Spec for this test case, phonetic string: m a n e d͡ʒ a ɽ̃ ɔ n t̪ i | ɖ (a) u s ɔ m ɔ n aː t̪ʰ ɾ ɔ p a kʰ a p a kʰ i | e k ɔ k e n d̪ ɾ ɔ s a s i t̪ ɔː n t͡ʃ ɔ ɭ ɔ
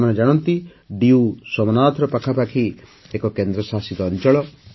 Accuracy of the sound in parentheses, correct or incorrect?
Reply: incorrect